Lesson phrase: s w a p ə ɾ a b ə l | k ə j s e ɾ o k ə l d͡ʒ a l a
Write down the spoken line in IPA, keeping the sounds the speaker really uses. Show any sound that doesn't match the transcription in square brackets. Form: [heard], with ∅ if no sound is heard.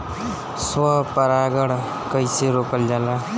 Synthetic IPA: s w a p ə ɾ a [ɡ] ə [ɽ] | k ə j s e ɾ o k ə l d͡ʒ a l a